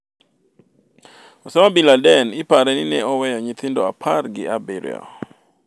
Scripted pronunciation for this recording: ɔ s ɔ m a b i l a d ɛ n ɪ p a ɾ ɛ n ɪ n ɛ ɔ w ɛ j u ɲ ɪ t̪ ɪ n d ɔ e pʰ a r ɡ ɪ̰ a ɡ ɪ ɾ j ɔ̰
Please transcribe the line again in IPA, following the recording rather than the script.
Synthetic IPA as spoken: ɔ s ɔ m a b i l a d ɛ n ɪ p a ɾ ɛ n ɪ n ɛ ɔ w ɛ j ɔ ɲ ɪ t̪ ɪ n d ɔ a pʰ a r ɡ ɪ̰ a b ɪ ɾ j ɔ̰